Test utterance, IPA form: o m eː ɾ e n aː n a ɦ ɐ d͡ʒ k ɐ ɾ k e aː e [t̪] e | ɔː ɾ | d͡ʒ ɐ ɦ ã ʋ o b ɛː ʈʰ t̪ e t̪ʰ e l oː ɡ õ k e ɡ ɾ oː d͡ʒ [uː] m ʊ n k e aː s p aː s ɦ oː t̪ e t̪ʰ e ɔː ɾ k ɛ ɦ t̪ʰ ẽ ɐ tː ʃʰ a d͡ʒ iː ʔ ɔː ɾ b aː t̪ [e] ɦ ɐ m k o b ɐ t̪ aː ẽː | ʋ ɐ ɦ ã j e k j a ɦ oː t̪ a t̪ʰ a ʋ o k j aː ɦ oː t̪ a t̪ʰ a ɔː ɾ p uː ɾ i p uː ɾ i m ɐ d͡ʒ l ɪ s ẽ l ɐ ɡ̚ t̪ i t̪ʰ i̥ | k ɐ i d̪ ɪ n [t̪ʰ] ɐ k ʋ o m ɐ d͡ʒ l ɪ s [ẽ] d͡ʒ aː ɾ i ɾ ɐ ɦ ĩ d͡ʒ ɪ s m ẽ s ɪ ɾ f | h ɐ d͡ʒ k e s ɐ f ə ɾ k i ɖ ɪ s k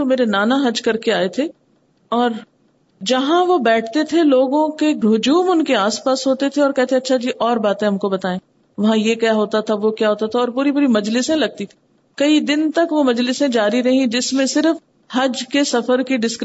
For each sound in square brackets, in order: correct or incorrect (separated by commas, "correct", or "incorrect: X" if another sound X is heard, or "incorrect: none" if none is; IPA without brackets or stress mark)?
incorrect: t̪ʰ, correct, incorrect: ẽ, incorrect: t̪, correct